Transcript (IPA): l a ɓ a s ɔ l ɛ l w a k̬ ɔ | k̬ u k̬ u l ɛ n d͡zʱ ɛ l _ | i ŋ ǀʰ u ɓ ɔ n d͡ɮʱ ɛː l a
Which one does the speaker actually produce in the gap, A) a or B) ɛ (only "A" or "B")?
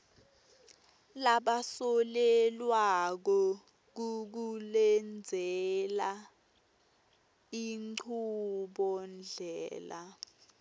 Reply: A